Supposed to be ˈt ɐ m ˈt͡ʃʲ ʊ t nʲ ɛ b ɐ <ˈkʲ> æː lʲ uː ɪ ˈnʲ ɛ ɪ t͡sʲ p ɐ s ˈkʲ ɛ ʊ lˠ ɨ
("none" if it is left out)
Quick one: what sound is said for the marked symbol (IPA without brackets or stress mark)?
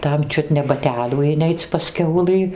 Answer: tʲ